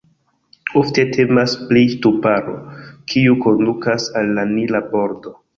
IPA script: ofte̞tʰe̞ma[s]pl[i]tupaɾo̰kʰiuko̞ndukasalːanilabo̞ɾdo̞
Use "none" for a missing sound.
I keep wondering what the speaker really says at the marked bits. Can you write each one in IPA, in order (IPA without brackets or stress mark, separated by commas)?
s, i